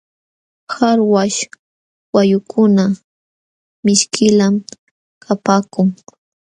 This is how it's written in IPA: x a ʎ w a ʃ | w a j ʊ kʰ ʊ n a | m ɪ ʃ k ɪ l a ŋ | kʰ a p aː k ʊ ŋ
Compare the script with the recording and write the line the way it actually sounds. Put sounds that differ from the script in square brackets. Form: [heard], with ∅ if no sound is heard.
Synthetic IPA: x a [ɾ] w a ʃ | w a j ʊ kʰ ʊ n a | m ɪ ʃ k ɪ l a [m] | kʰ a p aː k ʊ ŋ